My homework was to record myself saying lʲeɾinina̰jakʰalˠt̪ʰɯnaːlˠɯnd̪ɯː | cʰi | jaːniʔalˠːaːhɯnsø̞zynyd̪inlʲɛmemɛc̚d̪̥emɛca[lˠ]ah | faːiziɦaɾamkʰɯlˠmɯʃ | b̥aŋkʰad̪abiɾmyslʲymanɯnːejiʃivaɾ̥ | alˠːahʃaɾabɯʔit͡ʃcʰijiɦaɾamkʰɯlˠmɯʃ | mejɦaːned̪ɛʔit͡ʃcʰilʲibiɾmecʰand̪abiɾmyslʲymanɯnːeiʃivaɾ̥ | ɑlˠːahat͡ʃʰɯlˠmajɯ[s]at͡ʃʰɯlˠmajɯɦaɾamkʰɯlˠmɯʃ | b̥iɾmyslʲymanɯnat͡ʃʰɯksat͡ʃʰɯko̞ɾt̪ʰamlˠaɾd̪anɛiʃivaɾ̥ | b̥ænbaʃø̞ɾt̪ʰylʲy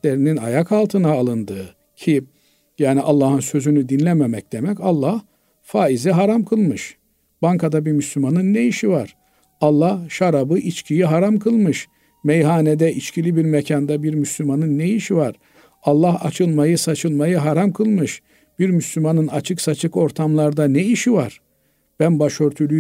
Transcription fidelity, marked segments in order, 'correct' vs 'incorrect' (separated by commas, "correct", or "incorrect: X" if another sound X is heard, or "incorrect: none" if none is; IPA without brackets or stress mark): incorrect: lˠː, correct